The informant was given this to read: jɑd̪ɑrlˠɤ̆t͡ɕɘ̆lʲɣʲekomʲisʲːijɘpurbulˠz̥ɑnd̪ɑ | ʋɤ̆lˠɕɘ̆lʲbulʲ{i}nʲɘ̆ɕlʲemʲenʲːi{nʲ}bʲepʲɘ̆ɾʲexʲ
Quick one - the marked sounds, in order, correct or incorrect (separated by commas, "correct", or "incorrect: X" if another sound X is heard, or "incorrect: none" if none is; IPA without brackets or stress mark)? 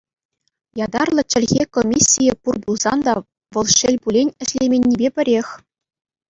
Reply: incorrect: e, incorrect: none